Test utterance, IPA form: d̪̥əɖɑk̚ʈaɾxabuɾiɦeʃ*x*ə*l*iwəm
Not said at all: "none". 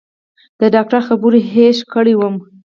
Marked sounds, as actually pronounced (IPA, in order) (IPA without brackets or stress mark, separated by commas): k, ɽ